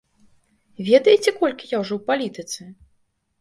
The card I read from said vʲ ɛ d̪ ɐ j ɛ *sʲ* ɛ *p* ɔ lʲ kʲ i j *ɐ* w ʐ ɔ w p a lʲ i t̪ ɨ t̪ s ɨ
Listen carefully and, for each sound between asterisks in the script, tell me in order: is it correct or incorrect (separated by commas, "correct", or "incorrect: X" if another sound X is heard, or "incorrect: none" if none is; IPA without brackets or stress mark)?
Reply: incorrect: t͡sʲ, incorrect: k, incorrect: a